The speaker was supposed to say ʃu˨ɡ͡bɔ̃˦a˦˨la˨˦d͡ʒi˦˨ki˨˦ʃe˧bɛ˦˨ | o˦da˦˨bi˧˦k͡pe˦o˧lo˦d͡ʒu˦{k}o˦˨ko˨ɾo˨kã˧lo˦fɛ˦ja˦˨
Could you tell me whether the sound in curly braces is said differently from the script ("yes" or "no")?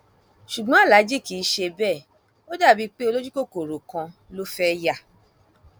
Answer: no